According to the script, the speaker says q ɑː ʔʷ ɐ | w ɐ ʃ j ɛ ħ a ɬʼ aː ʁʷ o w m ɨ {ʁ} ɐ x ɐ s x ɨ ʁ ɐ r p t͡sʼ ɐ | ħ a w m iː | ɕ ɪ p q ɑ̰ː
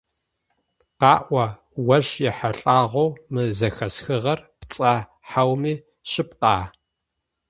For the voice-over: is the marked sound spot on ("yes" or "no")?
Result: no